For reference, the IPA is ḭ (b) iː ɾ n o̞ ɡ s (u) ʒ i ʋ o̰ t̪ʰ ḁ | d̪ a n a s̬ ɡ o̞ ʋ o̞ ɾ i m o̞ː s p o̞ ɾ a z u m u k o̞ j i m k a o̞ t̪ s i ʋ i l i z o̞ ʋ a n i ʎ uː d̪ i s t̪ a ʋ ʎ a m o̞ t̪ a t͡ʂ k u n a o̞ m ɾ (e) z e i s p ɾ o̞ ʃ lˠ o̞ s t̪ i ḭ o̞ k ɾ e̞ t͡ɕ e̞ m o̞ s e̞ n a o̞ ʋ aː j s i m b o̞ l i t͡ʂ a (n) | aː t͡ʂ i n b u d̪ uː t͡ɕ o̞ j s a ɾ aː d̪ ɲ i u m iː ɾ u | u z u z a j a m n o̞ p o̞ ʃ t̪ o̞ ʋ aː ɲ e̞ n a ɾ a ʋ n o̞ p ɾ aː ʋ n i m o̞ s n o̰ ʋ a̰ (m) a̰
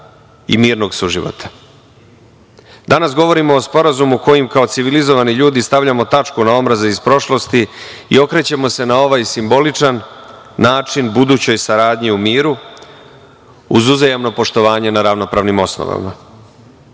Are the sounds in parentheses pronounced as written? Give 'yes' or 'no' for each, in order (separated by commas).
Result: no, yes, no, no, yes